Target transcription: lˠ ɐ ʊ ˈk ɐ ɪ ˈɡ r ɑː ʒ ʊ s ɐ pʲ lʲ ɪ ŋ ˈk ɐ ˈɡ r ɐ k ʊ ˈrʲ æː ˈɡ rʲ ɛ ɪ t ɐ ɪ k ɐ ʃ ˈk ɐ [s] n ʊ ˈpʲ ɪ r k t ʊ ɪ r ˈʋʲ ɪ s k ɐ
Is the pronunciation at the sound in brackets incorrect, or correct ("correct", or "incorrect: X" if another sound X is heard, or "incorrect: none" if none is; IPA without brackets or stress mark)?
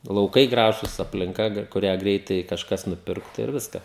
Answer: correct